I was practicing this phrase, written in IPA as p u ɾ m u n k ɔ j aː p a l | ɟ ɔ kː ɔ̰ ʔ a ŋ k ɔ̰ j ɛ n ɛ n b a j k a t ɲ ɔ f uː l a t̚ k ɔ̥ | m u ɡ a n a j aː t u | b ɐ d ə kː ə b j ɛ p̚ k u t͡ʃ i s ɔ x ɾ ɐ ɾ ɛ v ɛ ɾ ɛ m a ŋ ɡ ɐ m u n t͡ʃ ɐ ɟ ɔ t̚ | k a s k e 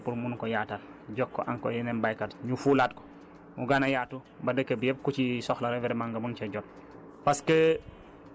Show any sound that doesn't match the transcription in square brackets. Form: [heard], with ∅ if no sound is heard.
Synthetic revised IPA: p u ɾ m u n k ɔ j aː [t] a l | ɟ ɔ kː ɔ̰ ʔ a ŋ k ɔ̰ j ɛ n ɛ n b a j k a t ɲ [u] f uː l a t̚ k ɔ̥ | m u ɡ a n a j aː t u | b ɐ d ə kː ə b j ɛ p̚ k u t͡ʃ i s ɔ x [l] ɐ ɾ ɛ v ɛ ɾ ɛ m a ŋ ɡ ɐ m u n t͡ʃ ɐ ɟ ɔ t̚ | [p] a s k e